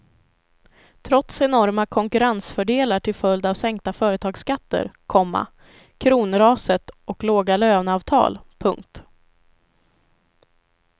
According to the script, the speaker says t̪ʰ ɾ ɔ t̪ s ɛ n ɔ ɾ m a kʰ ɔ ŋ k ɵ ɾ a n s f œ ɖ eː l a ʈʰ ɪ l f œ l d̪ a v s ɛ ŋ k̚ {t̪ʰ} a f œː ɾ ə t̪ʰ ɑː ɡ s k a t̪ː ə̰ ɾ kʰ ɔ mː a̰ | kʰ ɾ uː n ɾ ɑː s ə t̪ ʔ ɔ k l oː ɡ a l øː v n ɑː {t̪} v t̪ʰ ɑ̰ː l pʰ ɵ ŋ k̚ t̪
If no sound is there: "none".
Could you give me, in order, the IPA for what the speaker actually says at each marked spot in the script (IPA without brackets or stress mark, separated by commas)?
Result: t̪, none